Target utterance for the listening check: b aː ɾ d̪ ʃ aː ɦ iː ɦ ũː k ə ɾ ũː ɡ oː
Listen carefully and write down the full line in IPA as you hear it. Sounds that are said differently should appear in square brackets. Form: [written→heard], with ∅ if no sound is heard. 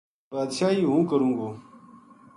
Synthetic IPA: b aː [ɾ→∅] d̪ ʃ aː ɦ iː ɦ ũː k ə ɾ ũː ɡ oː